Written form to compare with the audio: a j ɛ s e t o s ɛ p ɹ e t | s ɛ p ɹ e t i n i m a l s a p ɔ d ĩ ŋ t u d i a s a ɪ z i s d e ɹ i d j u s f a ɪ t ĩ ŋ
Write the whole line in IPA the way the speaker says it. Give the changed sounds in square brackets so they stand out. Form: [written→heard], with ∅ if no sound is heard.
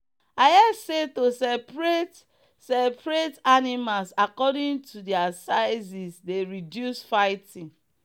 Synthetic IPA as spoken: a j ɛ s e t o s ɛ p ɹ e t | s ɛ p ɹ e t [i→a] n i m a l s a [p→k] ɔ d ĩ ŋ t u d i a s a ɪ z i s d e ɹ i d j u s f a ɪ t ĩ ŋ